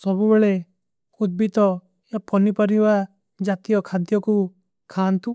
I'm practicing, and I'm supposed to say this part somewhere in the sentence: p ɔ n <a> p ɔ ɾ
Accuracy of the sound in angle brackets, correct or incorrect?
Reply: incorrect: i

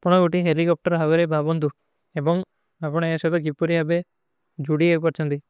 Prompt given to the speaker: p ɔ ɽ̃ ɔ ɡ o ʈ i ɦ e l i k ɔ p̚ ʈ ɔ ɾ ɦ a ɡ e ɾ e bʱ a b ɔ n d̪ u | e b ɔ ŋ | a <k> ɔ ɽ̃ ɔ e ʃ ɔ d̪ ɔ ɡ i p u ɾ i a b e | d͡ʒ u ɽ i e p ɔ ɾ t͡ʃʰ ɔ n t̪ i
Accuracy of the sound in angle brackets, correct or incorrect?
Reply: incorrect: p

